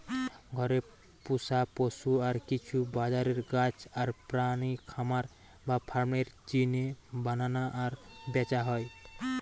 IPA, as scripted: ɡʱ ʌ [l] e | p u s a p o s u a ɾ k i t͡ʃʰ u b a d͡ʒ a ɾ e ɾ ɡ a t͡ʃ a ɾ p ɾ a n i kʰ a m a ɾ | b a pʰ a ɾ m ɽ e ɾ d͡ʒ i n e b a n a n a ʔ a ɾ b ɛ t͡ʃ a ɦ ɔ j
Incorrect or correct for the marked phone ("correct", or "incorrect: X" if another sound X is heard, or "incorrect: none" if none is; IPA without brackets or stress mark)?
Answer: incorrect: ɾ